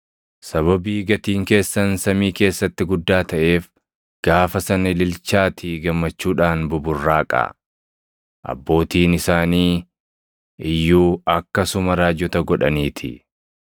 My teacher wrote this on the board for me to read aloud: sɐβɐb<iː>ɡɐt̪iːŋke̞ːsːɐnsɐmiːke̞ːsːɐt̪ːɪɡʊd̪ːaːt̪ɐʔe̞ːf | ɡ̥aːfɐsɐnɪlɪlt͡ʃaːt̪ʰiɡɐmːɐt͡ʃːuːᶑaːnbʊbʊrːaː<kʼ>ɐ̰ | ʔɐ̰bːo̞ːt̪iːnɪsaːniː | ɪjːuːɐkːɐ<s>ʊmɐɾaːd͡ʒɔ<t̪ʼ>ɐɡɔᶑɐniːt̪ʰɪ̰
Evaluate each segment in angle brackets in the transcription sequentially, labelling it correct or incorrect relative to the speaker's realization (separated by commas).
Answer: correct, correct, correct, incorrect